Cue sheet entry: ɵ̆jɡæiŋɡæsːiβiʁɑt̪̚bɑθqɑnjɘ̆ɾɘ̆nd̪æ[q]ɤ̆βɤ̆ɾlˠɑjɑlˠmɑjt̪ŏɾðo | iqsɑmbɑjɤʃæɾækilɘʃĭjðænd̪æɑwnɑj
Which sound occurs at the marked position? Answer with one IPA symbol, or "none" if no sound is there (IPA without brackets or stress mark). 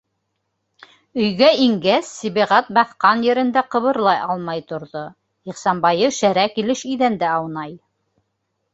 q